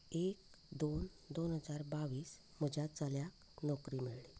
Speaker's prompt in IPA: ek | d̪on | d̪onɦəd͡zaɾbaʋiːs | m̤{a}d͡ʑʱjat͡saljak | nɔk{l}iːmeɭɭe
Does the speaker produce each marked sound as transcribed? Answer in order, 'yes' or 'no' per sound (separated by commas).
no, no